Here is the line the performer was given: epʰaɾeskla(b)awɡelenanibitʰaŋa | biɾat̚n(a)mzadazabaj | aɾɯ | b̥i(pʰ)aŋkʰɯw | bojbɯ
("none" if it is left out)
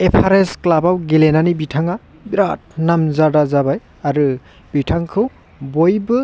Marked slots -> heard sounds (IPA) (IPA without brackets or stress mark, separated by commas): b, a, tʰ